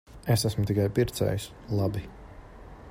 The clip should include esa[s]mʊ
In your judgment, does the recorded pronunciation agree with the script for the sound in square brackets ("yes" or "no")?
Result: yes